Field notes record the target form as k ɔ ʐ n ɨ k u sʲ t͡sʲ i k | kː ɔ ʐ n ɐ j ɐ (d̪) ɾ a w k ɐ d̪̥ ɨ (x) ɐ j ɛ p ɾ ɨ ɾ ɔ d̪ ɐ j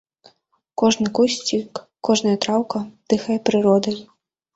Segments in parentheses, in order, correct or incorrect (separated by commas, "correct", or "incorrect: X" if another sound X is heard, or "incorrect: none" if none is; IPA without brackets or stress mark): incorrect: t̪, correct